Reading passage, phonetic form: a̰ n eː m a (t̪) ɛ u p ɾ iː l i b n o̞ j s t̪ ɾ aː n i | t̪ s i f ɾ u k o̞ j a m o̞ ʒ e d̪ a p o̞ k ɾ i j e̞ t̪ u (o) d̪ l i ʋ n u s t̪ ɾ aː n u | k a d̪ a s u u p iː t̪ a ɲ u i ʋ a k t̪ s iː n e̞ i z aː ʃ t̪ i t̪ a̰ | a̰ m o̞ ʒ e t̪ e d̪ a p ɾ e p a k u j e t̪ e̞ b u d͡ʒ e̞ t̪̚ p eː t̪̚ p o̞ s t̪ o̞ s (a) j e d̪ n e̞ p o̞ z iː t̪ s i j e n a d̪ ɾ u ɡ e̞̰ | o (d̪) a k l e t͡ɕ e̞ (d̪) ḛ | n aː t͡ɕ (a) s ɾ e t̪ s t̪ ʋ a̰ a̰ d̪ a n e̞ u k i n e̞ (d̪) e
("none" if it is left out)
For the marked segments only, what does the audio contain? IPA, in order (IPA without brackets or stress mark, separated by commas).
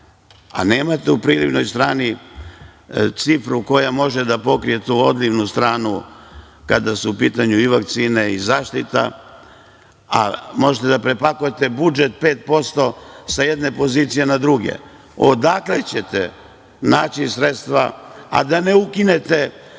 t̪, o, a, d̪, t̪, i, t̪